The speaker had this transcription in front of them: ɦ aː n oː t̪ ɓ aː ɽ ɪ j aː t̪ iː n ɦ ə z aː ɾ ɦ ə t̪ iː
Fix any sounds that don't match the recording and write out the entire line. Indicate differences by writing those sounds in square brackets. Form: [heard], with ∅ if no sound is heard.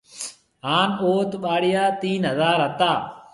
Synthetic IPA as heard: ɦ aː n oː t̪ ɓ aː ɽ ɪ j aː t̪ iː n ɦ ə z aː ɾ ɦ ə t̪ [aː]